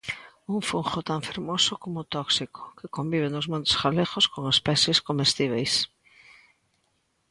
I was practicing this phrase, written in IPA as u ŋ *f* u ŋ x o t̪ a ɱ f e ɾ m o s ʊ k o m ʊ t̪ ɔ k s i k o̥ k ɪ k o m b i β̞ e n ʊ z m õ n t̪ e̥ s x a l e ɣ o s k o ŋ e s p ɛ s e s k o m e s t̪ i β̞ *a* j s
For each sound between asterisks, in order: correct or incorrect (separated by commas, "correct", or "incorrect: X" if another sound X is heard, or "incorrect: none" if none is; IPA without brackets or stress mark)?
correct, incorrect: e